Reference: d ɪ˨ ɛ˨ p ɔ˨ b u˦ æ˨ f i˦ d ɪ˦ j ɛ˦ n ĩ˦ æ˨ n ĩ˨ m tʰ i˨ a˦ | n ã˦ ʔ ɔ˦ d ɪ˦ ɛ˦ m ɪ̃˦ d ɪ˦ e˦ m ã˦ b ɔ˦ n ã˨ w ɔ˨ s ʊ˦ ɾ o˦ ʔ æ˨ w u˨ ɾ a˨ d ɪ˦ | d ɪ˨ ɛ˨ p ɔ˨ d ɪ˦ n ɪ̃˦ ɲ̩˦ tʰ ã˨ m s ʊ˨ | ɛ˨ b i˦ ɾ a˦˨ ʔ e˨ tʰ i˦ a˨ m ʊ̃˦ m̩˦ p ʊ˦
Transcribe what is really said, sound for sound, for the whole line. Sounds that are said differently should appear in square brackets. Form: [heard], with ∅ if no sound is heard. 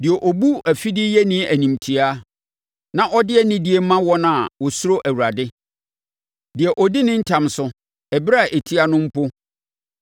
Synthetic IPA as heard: d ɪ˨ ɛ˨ [ʔ] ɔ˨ b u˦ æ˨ f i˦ d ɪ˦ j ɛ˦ n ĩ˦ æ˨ n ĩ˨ m tʰ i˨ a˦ | n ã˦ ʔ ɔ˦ d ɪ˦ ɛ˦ [n] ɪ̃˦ d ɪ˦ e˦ m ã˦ [w] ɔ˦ n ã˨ w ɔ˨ s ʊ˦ ɾ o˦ ʔ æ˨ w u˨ ɾ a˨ d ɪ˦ | d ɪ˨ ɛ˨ [ʔ] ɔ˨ d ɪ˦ n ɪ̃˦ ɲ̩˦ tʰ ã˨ m s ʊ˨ | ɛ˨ b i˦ ɾ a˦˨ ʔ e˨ tʰ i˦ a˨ [n] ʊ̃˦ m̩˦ p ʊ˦